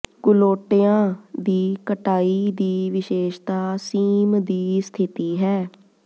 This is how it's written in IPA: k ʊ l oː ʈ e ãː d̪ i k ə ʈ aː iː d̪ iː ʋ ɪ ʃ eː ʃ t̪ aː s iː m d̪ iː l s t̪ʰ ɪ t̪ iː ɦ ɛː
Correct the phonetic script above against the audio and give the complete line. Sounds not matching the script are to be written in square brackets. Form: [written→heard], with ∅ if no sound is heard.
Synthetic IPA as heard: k ʊ l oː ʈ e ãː d̪ [i→iː] k ə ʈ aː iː d̪ iː ʋ ɪ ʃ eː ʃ t̪ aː s iː m d̪ iː [l→∅] s t̪ʰ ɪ t̪ iː ɦ ɛː